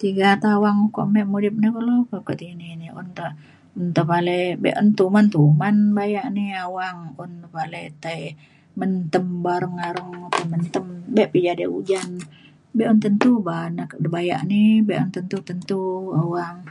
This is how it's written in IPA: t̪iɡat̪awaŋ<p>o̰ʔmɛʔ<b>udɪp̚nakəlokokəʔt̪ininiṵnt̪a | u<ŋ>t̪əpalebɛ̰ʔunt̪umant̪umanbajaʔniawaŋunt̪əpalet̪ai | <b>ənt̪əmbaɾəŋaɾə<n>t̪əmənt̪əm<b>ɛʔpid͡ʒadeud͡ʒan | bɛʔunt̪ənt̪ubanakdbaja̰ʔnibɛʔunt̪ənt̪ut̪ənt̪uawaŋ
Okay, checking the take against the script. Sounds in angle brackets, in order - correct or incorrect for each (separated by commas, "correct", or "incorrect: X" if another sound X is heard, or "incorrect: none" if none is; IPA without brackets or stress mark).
incorrect: k, incorrect: m, incorrect: n, incorrect: m, incorrect: ŋ, correct